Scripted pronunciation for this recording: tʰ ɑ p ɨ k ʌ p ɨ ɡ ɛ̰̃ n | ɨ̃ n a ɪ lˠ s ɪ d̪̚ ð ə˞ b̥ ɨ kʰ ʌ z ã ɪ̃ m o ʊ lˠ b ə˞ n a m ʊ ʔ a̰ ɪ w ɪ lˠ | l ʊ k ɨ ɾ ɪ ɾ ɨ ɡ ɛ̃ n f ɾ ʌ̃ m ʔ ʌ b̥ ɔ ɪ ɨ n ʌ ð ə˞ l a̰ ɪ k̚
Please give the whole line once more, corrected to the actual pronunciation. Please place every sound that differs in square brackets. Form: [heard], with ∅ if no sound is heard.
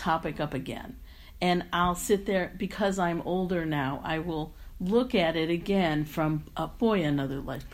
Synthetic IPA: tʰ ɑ p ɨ k ʌ p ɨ ɡ ɛ̰̃ n | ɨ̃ n a ɪ lˠ s ɪ [t̪̚] ð ə˞ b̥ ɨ kʰ ʌ z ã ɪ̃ m o ʊ lˠ [d] ə˞ n a [∅] ʊ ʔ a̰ ɪ w ɪ lˠ | l ʊ k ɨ ɾ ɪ ɾ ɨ ɡ ɛ̃ n f [ɹ] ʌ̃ m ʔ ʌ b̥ ɔ ɪ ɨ n ʌ ð ə˞ l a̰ ɪ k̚